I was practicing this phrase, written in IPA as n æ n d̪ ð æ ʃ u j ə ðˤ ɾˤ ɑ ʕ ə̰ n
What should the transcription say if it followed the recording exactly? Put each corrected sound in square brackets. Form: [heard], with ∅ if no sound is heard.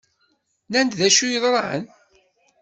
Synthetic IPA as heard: n æ n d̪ ð æ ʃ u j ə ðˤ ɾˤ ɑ ʕ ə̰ n